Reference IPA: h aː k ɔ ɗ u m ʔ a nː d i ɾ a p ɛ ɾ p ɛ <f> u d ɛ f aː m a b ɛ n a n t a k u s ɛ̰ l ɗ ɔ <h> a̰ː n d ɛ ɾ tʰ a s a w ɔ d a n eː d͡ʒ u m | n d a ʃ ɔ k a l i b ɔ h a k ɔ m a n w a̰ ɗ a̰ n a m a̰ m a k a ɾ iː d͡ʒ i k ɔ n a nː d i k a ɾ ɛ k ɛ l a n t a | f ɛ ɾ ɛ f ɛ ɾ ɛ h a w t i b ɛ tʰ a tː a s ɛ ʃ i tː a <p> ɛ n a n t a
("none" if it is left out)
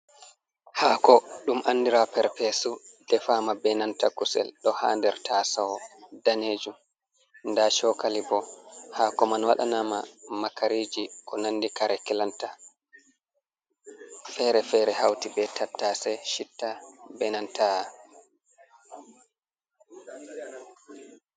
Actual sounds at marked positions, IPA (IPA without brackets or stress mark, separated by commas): s, h, b